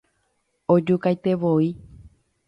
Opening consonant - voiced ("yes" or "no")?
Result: yes